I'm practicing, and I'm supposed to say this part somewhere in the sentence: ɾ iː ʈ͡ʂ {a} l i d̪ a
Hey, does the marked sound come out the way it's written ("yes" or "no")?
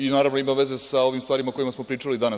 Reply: yes